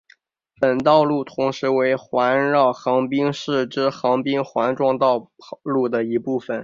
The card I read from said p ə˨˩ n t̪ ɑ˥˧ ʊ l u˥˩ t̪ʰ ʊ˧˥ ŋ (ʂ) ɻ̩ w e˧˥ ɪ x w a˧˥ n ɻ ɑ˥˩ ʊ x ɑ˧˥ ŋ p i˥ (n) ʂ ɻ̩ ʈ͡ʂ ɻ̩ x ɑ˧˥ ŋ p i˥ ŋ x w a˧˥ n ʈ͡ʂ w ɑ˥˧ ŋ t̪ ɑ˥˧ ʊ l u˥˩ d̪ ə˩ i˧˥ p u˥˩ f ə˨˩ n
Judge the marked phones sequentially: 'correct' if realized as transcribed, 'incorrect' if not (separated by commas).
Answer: correct, incorrect